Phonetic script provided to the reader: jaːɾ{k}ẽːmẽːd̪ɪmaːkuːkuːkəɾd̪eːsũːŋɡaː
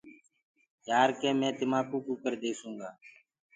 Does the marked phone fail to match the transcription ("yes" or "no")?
no